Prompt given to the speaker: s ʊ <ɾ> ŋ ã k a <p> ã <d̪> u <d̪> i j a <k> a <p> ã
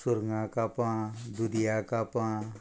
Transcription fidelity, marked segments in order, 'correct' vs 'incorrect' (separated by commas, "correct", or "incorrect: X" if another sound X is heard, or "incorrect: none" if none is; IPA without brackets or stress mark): correct, correct, correct, correct, correct, correct